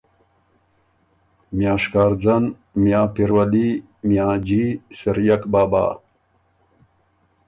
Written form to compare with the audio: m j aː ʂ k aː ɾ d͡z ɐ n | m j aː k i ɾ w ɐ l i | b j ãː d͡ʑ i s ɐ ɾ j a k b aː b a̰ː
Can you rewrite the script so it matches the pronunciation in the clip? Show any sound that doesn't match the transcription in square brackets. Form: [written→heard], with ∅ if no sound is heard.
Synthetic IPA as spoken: m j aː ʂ k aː ɾ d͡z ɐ n | m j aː [k→p] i ɾ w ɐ l i | [b→m] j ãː d͡ʑ i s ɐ ɾ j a k b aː b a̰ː